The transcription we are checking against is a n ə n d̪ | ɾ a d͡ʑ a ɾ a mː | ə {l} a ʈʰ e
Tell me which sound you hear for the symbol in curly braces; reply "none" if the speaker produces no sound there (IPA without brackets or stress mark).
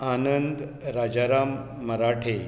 ɾ